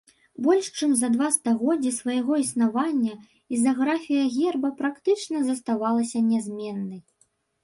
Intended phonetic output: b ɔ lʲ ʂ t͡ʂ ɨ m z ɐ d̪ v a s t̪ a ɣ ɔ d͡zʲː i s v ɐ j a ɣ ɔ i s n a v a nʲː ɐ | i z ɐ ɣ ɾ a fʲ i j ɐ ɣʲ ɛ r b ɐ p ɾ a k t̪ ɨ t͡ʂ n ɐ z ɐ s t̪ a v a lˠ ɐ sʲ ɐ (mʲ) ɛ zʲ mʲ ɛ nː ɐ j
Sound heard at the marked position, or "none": nʲ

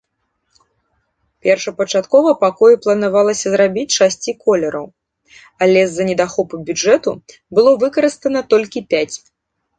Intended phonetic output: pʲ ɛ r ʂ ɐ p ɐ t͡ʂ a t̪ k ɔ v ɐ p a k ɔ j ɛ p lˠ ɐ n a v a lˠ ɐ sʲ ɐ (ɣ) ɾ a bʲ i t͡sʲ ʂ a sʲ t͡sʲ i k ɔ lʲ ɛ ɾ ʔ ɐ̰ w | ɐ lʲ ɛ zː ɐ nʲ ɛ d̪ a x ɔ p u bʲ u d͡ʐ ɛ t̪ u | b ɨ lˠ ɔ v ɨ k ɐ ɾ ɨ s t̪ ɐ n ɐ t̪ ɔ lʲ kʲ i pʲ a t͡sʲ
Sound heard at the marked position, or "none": z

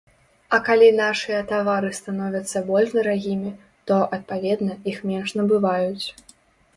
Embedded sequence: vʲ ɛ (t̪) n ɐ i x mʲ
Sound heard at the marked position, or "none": d̪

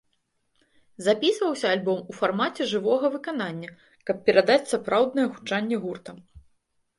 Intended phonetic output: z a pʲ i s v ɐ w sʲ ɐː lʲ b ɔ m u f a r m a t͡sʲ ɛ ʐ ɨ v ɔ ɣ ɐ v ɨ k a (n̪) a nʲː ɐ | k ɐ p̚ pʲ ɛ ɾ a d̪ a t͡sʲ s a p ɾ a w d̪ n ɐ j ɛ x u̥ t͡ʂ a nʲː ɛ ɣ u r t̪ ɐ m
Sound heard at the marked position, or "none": n̪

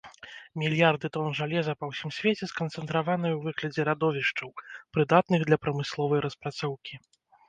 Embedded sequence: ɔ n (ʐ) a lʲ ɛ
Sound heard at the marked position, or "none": ʐ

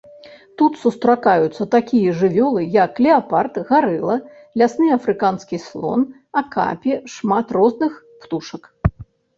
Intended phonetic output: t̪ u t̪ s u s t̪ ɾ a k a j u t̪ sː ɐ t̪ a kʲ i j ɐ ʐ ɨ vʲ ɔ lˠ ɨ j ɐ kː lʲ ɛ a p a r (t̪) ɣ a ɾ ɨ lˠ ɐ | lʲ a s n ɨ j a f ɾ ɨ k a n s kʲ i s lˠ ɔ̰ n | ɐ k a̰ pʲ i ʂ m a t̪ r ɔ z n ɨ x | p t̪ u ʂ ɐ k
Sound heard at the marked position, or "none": t̪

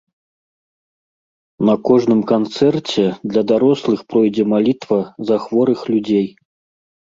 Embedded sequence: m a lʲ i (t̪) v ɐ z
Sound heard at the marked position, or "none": t̪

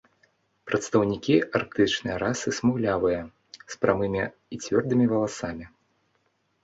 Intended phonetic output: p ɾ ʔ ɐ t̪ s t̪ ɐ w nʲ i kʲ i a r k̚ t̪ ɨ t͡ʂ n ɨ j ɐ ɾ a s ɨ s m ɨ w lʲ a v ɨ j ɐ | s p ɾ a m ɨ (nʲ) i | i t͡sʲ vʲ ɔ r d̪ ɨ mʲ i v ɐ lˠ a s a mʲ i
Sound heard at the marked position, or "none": mʲ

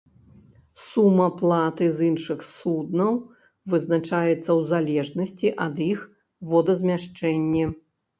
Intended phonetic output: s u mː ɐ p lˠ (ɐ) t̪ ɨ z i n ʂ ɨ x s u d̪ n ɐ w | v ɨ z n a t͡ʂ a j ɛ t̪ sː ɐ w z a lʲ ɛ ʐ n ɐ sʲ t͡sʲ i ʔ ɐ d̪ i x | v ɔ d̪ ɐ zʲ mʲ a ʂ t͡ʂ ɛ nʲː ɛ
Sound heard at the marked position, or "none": a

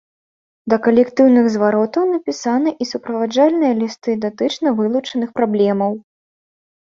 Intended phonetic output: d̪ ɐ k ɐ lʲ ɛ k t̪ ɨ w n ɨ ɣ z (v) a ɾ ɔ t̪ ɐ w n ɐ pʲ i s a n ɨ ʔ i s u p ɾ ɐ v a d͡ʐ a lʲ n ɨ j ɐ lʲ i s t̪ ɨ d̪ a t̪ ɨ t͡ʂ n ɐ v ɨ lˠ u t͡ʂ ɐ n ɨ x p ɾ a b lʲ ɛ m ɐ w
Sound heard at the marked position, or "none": v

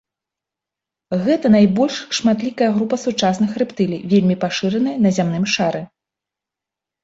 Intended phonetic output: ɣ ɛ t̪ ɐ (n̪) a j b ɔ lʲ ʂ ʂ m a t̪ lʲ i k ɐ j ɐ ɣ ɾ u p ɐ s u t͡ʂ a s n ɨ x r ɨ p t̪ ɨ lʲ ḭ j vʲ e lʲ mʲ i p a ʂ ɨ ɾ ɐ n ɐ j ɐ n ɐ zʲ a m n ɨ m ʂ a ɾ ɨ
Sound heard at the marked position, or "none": n̪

